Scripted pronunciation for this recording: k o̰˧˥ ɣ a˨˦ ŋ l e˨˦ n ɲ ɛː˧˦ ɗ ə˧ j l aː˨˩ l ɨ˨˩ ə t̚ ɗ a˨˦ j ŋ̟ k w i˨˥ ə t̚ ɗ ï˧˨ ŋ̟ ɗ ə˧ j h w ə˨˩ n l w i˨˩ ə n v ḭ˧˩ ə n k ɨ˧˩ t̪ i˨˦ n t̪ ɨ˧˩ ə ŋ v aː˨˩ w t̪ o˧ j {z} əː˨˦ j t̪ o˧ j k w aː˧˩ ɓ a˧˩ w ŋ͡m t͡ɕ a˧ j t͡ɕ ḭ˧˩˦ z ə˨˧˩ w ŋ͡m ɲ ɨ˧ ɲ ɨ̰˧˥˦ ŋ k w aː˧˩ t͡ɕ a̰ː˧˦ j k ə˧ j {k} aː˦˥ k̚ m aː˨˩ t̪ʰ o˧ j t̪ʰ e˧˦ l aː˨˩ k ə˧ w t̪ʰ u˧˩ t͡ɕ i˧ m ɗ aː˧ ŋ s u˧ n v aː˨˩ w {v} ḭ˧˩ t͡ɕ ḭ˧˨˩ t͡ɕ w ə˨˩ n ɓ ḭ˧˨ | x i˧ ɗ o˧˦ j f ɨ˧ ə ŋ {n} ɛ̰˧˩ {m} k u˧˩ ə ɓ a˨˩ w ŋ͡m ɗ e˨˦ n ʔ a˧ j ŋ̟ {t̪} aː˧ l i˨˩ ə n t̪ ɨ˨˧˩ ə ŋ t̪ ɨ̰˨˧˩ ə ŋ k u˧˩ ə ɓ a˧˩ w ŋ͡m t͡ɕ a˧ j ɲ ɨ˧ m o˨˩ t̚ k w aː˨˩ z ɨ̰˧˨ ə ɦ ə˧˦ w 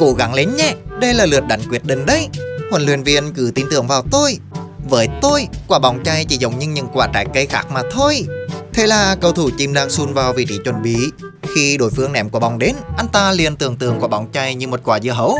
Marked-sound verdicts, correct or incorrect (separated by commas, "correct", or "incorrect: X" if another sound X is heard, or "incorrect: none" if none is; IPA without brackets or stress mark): incorrect: v, incorrect: x, correct, correct, correct, correct